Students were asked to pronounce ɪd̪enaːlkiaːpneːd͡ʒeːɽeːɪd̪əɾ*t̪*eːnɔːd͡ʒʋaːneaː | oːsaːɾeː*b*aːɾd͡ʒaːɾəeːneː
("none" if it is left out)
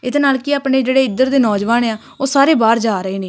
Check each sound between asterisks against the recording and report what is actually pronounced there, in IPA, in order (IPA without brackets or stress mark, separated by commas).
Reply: d̪, b